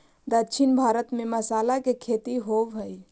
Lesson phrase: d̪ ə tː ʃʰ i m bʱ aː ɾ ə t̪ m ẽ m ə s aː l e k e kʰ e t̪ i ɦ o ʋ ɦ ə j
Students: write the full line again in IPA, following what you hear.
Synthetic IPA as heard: d̪ ə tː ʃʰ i n bʱ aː ɾ ə t̪ m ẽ m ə s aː l a k e kʰ e t̪ i ɦ o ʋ ɦ ə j